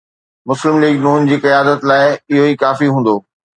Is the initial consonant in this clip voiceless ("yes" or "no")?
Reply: no